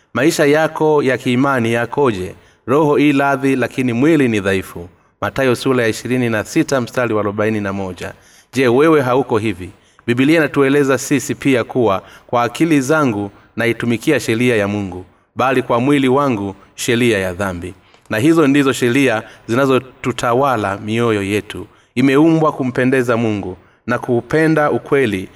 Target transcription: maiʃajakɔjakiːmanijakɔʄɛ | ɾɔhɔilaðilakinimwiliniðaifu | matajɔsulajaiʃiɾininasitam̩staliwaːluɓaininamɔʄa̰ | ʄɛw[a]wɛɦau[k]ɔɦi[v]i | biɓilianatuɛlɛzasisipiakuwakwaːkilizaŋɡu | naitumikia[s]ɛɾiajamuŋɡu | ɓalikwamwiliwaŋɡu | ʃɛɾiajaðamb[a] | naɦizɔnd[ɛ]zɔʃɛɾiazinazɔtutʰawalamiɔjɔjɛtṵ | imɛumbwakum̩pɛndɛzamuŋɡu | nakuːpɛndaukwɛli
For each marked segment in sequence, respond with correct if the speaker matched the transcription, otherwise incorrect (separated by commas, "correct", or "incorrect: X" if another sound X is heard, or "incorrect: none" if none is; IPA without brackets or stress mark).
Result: incorrect: ɛ, correct, correct, incorrect: ʃ, incorrect: i, incorrect: i